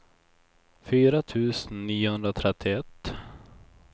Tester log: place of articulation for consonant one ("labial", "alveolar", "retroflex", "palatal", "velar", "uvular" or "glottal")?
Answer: labial